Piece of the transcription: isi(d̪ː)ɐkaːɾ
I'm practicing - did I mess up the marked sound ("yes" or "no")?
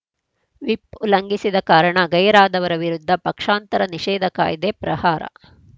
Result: yes